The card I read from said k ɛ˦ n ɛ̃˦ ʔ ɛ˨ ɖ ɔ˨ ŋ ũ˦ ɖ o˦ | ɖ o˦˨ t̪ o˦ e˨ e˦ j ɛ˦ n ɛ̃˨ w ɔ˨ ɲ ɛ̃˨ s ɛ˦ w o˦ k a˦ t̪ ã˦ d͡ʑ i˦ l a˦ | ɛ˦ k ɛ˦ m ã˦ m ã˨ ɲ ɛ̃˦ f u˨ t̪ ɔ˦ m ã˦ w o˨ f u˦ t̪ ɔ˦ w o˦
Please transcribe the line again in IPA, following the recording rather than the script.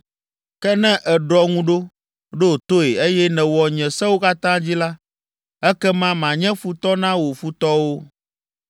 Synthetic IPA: k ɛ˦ n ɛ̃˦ ʔ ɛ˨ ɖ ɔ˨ ŋ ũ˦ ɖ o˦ | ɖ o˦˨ t̪ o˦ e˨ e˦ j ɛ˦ n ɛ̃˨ w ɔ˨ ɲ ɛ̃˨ s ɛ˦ w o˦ k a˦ t̪ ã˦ d͡ʑ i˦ l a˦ | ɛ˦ k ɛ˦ m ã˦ m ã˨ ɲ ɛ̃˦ f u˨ t̪ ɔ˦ n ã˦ w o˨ f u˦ t̪ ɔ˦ w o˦